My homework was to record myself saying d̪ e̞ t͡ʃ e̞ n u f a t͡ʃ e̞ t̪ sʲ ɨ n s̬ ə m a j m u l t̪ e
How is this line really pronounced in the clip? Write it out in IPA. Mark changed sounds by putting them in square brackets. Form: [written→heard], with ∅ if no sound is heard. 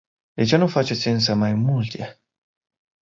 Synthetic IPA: d̪ e̞ t͡ʃ e̞ n u f a t͡ʃ e̞ t̪ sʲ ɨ n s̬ ə m a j m u l t̪ e